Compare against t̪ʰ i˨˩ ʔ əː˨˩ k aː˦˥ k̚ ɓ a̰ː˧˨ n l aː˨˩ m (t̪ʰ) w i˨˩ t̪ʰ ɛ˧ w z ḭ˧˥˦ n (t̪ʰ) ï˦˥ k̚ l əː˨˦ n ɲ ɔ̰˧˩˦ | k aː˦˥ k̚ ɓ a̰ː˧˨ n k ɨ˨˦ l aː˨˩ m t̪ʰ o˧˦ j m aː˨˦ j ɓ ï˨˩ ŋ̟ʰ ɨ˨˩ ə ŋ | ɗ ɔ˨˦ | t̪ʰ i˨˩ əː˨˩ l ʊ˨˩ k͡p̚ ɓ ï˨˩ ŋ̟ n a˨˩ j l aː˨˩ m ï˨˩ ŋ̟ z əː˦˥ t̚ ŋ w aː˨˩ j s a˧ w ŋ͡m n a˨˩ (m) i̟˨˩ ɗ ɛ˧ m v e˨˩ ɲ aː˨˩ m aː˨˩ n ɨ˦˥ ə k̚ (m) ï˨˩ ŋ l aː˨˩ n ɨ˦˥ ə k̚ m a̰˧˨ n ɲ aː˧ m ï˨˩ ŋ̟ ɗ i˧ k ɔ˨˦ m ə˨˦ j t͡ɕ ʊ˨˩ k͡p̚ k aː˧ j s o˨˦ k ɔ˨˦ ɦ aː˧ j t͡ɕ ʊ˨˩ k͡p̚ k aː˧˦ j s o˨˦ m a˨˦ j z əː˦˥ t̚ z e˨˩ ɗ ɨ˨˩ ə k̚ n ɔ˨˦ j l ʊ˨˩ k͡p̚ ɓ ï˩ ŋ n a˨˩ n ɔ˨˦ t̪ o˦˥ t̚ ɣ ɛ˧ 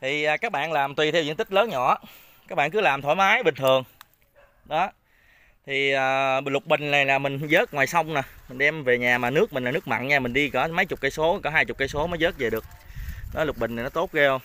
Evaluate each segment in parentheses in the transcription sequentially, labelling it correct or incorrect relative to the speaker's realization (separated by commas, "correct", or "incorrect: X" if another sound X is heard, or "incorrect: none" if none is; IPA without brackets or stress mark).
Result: incorrect: t̪, incorrect: t̪, correct, correct